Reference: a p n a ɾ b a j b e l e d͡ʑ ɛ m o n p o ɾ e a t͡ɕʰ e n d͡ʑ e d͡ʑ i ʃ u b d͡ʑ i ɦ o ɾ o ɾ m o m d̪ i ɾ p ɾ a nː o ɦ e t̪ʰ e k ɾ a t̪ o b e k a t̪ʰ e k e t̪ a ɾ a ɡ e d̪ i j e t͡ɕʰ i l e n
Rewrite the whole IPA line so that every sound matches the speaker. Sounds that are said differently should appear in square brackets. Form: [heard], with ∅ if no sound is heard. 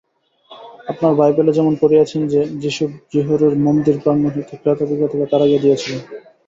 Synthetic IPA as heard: a p n a ɾ b a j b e l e d͡ʑ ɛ m o n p o ɾ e a t͡ɕʰ e n d͡ʑ e d͡ʑ i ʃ u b d͡ʑ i ɦ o ɾ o ɾ m o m d̪ i ɾ p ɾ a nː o ɦ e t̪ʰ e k ɾ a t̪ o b [i] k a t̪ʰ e k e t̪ a ɾ a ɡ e d̪ i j e t͡ɕʰ i l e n